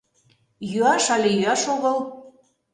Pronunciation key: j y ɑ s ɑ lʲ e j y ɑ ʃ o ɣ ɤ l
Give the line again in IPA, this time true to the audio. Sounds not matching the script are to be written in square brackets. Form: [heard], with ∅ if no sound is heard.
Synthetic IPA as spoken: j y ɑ [ʃ] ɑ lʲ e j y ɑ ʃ o ɣ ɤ l